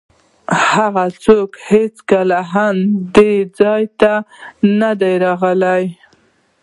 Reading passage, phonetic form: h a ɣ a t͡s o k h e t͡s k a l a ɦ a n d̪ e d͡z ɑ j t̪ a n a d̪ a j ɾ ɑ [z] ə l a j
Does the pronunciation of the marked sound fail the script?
yes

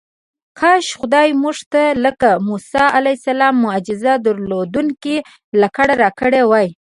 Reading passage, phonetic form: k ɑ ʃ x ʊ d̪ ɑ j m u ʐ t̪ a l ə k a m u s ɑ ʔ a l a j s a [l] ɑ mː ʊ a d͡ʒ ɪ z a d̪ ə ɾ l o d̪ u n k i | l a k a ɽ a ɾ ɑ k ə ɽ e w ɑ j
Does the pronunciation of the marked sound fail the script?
no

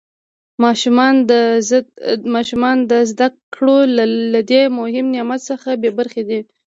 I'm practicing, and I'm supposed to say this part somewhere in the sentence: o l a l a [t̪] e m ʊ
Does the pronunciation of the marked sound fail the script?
yes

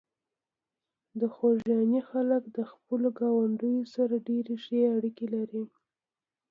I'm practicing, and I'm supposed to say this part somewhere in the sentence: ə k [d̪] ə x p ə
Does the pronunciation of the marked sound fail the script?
no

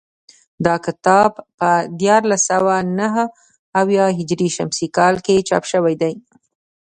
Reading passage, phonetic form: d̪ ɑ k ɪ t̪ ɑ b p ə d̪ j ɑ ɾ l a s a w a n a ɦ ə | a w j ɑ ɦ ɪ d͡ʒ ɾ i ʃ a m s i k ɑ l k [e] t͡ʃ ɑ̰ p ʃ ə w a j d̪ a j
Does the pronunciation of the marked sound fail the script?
no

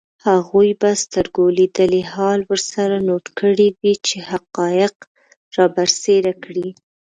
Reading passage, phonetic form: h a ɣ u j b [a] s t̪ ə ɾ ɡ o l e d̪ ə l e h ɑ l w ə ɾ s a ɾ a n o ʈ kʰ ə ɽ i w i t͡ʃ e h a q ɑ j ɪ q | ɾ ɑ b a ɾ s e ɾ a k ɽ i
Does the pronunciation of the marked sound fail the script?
no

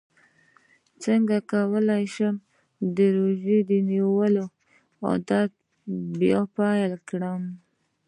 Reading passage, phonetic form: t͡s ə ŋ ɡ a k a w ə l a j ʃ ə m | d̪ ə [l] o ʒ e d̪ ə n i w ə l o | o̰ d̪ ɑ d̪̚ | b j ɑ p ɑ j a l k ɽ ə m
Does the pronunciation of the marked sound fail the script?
yes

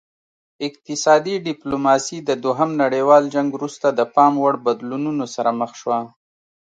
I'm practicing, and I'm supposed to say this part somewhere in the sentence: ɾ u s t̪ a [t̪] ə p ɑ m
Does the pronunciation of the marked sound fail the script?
yes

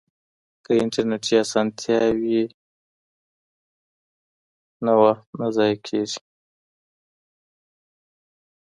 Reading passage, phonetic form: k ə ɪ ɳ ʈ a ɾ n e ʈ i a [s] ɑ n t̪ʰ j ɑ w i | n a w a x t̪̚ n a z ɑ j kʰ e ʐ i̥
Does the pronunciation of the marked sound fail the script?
no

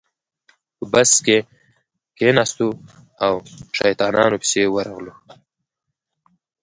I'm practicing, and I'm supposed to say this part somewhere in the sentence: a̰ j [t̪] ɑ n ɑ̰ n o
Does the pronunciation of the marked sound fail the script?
no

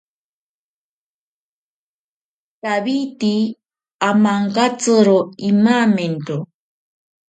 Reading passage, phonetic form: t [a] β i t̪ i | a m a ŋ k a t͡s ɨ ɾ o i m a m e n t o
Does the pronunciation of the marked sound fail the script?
no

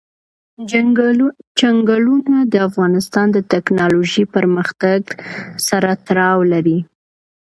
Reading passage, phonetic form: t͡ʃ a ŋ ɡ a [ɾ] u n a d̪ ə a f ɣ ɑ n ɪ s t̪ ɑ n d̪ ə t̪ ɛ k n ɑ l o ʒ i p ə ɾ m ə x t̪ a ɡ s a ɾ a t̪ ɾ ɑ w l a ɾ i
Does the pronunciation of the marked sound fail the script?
yes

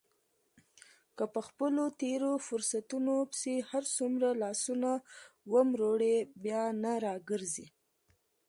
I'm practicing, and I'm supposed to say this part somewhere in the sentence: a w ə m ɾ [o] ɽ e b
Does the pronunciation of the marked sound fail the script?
no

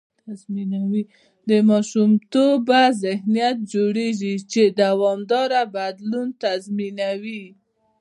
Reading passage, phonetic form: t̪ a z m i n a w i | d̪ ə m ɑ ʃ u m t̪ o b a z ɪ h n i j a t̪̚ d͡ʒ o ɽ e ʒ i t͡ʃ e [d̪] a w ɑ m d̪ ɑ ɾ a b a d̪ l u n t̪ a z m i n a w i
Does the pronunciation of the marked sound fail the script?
no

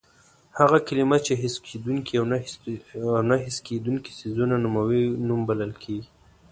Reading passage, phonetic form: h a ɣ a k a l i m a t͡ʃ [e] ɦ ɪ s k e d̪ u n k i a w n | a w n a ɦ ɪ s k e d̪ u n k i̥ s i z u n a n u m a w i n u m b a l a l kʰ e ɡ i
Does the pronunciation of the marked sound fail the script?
no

